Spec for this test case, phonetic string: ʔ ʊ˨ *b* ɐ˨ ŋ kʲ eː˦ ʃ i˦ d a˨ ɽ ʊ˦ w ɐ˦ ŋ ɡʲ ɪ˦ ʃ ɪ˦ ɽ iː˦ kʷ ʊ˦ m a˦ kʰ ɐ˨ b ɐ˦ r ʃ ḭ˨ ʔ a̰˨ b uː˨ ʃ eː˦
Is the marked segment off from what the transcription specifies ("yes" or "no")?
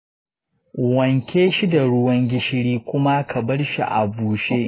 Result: yes